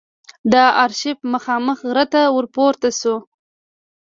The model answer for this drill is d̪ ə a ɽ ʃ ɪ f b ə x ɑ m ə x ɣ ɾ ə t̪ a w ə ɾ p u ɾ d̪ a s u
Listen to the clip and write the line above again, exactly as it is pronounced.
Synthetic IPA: d̪ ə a ɾ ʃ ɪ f m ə x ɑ m ə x ɣ ɾ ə t̪ a w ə ɾ p o ɾ t̪ a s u